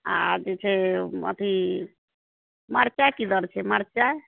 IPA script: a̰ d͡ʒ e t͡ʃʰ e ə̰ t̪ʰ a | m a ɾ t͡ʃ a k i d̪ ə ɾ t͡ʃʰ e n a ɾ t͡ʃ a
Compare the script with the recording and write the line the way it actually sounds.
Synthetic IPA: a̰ d͡ʒ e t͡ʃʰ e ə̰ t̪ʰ i | m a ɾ t͡ʃ a k i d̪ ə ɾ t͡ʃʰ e m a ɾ t͡ʃ a